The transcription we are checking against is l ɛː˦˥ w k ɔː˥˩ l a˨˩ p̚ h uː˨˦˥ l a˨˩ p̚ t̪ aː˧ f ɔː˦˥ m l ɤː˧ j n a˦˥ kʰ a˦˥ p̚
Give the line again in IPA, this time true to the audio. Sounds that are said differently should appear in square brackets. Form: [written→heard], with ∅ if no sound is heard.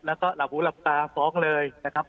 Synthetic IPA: l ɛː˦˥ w k ɔː˥˩ l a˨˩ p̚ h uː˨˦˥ l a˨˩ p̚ t̪ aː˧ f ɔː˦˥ [m→ŋ] l ɤː˧ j n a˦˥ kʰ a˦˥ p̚